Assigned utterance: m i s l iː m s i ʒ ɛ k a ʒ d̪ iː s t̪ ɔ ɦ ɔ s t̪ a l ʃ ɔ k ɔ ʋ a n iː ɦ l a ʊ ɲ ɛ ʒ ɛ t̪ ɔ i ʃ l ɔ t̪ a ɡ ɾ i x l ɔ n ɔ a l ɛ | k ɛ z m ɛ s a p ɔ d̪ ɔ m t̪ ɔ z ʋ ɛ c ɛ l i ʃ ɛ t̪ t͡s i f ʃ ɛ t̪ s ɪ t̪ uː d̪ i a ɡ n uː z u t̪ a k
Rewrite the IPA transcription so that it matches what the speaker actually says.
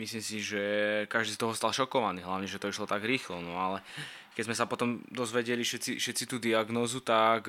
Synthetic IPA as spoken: m i s l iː m s i ʒ ɛ k a ʒ d̪ iː s t̪ ɔ ɦ ɔ s t̪ a l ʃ ɔ k ɔ ʋ a n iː ɦ l a ʊ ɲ ɛ ʒ ɛ t̪ ɔ i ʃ l ɔ t̪ a ɡ ɾ iː x l ɔ n ɔ a l ɛ | k ɛ z m ɛ s a p ɔ t̪ ɔ m d̪ ɔ z ʋ ɛ ɟ ɛ l i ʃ ɛ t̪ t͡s i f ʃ ɛ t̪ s i t̪ uː d̪ i a ɡ n ɔː z u t̪ a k